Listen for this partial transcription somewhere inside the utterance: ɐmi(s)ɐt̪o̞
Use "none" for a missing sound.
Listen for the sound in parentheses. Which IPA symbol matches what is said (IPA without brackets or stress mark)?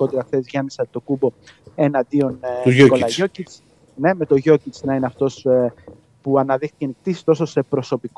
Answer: s